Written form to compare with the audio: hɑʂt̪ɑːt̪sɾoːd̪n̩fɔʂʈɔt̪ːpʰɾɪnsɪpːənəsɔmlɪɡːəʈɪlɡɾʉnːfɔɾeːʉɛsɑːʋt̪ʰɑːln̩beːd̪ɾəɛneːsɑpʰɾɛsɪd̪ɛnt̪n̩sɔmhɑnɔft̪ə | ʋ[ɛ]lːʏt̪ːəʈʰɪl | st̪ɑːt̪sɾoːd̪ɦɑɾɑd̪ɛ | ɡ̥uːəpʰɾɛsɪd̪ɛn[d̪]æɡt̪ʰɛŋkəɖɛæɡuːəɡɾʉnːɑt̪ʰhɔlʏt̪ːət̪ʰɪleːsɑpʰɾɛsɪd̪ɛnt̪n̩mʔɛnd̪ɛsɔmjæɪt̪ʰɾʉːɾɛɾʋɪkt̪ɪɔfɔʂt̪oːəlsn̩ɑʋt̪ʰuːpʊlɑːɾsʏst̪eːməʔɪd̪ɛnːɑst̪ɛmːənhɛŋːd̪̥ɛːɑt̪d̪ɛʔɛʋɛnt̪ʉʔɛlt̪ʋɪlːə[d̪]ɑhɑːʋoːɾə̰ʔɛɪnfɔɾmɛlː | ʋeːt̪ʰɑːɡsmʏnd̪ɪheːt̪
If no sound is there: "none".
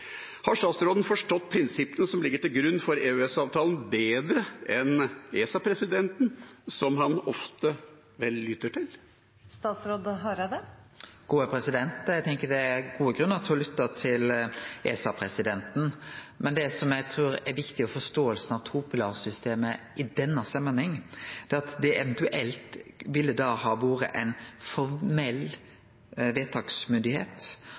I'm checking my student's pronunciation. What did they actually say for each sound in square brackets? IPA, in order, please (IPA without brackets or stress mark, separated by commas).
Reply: ɛ, t̪, d̪